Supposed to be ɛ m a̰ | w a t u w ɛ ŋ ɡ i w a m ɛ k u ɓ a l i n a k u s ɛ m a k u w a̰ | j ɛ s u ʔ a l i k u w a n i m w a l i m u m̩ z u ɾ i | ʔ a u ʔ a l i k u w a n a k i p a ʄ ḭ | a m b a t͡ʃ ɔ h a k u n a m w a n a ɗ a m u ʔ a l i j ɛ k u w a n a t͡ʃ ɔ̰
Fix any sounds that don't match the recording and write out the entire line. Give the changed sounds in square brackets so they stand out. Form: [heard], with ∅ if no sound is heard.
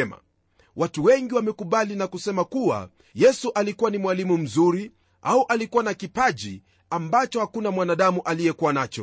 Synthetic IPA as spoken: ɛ m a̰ | w a t u w ɛ ŋ ɡ i w a m ɛ k u ɓ a l i n a k u s ɛ m a k u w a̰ | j ɛ s u ʔ a l i k u w a n i m w a l i m u m̩ z u ɾ i | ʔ a u ʔ a l i k u w a n a k i p a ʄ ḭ | a m b a t͡ʃ ɔ h a k u n a m w a n a ɗ a m u ʔ a l i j ɛ k u w a n a t͡ʃ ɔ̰